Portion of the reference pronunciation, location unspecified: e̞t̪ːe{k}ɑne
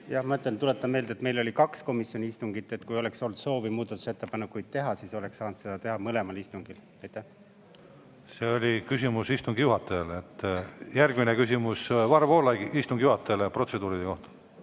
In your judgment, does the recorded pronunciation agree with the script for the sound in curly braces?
no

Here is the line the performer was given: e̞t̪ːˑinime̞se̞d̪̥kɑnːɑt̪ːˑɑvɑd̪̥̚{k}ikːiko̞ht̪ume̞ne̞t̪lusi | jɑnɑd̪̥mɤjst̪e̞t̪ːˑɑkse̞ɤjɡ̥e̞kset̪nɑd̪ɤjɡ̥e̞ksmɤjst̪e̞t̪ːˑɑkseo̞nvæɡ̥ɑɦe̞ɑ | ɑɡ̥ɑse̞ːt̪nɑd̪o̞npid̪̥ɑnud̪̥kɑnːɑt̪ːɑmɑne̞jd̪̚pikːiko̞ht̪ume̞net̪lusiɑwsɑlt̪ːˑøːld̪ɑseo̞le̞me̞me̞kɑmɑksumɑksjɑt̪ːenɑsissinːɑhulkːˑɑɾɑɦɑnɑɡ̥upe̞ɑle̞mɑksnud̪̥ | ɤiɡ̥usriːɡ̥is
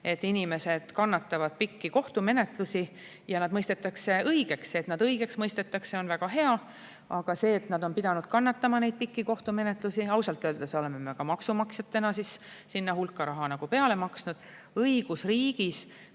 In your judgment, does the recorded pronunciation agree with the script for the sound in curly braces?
no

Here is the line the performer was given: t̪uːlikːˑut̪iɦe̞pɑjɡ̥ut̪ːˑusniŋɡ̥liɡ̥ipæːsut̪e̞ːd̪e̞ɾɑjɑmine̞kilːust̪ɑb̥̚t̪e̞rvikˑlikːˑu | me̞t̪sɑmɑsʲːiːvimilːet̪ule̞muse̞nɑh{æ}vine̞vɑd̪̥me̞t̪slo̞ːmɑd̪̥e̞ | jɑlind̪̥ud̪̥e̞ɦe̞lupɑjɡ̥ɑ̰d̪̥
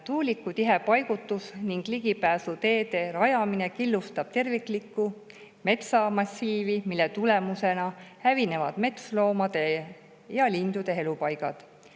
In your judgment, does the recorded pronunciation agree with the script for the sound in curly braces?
yes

